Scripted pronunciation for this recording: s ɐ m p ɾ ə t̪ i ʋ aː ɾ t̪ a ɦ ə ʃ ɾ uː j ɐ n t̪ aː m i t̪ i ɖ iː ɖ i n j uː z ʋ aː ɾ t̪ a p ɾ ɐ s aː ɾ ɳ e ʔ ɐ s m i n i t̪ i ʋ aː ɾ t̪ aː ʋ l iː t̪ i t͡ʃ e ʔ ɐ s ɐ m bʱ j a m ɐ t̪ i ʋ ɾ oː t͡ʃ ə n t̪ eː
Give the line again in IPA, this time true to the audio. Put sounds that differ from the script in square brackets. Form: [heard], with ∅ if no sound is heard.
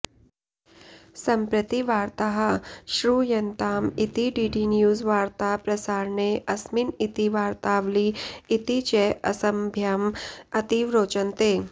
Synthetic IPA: s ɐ m p ɾ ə t̪ i ʋ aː ɾ t̪ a ɦ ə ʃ ɾ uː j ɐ n t̪ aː m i t̪ i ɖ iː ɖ i n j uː z ʋ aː ɾ t̪ a p ɾ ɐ s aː ɾ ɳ e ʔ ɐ s m i n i t̪ i ʋ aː ɾ t̪ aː ʋ l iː t̪ i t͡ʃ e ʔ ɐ s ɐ m bʱ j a m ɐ t̪ i ʋ ɾ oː t͡ʃ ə n t̪ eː

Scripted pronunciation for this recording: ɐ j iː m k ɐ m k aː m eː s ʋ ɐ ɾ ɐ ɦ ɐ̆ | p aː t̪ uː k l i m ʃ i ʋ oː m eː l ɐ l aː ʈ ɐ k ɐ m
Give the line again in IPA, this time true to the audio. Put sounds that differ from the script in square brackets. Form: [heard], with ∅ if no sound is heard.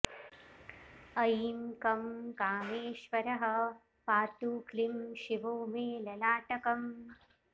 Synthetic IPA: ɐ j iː m k ɐ m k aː m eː [ʃ] ʋ ɐ ɾ ɐ ɦ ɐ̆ | p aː t̪ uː k l i m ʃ i ʋ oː m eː l ɐ l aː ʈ ɐ k ɐ m

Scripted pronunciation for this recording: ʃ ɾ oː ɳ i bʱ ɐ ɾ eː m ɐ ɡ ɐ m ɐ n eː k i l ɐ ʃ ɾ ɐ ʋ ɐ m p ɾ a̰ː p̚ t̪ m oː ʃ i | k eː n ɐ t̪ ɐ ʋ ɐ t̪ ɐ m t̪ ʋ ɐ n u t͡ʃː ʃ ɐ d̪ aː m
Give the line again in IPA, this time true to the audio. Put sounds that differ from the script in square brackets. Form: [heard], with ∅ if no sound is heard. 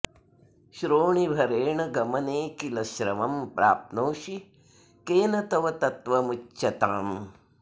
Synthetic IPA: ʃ ɾ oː ɳ i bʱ ɐ ɾ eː [ɳ] ɐ ɡ ɐ m ɐ n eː k i l ɐ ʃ ɾ ɐ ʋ ɐ m p ɾ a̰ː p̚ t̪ [n] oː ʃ i | k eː n ɐ t̪ ɐ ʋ ɐ t̪ ɐ [∅] t̪ ʋ ɐ [m] u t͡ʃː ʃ ɐ [t̪] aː m

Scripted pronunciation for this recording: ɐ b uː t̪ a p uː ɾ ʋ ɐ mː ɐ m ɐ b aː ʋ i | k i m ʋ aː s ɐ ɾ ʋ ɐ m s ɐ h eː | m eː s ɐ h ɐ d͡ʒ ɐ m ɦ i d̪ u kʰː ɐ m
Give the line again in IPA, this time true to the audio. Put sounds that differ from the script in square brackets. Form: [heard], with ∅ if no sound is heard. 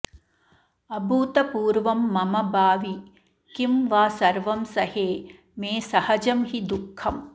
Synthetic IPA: ɐ b uː t̪ [ɐ] p uː ɾ ʋ ɐ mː ɐ m ɐ b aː ʋ i | k i m ʋ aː s ɐ ɾ ʋ ɐ m s ɐ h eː | m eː s ɐ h ɐ d͡ʒ ɐ m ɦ i d̪ u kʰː ɐ m

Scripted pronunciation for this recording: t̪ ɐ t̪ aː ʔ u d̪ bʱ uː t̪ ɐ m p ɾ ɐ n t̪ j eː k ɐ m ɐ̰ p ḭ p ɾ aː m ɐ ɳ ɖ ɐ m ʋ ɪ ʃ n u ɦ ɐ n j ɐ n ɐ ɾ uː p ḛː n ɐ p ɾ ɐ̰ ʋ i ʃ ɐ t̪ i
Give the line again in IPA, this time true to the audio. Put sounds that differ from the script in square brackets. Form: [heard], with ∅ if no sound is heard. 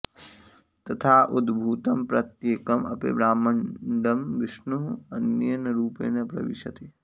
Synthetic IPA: t̪ ɐ [t̪ʰ] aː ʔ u d̪ bʱ uː t̪ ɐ m p ɾ ɐ [∅] t̪ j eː k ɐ m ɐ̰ p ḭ [b] ɾ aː m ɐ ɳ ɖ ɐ m ʋ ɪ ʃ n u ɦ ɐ n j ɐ n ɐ ɾ uː p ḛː n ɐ p ɾ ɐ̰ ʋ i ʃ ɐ t̪ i

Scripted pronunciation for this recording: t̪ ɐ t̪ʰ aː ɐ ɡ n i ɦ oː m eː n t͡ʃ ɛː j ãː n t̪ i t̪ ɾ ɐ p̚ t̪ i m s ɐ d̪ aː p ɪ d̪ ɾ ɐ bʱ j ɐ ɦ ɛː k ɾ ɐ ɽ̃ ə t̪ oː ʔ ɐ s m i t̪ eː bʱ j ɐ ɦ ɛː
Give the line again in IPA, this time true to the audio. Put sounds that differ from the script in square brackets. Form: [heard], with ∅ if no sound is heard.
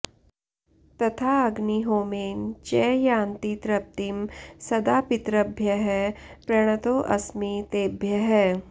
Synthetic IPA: t̪ ɐ t̪ʰ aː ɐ ɡ n i ɦ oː m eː n t͡ʃ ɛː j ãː n t̪ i t̪ ɾ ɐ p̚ t̪ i m s ɐ d̪ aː p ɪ [t̪] ɾ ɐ bʱ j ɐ ɦ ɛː [p] ɾ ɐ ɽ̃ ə t̪ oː ʔ ɐ s m i t̪ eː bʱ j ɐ ɦ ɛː

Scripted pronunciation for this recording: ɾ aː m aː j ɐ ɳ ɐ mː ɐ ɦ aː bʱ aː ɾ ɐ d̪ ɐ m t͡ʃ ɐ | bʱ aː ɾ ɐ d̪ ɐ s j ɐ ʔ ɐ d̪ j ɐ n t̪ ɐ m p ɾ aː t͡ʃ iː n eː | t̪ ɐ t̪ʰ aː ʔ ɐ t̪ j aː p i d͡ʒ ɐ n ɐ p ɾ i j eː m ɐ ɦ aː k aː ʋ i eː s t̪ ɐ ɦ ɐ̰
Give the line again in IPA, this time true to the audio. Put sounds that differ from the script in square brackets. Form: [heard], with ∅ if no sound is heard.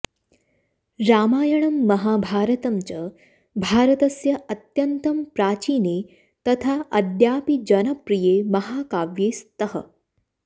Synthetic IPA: ɾ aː m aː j ɐ ɳ ɐ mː ɐ ɦ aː bʱ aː ɾ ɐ [t̪] ɐ m t͡ʃ ɐ | bʱ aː ɾ ɐ [t̪] ɐ s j ɐ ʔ ɐ [t̪] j ɐ n t̪ ɐ m p ɾ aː t͡ʃ iː n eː | t̪ ɐ t̪ʰ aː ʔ ɐ [d̪] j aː p i d͡ʒ ɐ n ɐ p ɾ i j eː m ɐ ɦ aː k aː ʋ [j] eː s t̪ ɐ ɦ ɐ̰

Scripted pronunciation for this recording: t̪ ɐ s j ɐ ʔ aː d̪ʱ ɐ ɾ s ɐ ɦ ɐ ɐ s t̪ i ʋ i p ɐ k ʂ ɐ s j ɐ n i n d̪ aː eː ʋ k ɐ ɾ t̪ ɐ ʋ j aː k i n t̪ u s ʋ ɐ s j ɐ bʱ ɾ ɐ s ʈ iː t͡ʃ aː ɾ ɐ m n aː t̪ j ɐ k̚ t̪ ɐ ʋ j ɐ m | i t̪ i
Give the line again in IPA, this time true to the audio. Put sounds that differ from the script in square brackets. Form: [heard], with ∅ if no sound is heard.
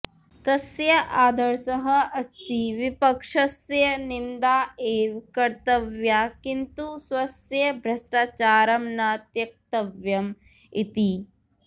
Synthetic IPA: t̪ ɐ s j ɐ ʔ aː d̪ʱ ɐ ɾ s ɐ ɦ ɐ ɐ s t̪ i ʋ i p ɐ k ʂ ɐ s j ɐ n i n d̪ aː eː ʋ k ɐ ɾ t̪ ɐ ʋ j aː k i n t̪ u s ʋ ɐ s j ɐ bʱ ɾ ɐ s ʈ [aː] t͡ʃ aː ɾ ɐ m n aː t̪ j ɐ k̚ t̪ ɐ ʋ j ɐ m | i t̪ i

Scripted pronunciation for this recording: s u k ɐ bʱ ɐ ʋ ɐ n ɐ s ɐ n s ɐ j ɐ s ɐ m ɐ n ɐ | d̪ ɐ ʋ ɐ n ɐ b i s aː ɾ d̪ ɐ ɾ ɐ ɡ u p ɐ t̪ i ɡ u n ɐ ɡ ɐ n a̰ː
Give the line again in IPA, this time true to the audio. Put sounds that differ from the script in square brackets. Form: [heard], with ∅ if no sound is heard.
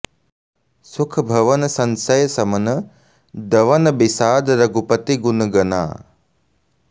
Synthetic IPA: s u [kʰ] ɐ bʱ ɐ ʋ ɐ n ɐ s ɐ n s ɐ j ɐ s ɐ m ɐ n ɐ | d̪ ɐ ʋ ɐ n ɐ b i s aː [∅] d̪ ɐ ɾ ɐ ɡ u p ɐ t̪ i ɡ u n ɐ ɡ ɐ n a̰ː

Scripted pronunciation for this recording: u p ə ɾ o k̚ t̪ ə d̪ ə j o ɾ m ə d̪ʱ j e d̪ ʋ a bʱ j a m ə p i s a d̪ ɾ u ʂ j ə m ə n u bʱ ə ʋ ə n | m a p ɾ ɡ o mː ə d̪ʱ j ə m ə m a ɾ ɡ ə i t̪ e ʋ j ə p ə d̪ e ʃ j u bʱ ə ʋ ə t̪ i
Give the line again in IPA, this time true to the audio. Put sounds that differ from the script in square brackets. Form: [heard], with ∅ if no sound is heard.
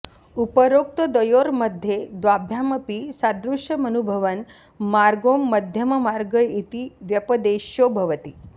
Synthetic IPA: u p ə ɾ o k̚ t̪ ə d̪ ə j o ɾ m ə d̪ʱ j e d̪ ʋ a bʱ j a m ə p i s a d̪ ɾ u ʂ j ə m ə n u bʱ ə ʋ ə n | m a [∅] ɾ ɡ o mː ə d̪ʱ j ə m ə m a ɾ ɡ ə i t̪ [i] ʋ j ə p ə d̪ e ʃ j [o] bʱ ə ʋ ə t̪ i

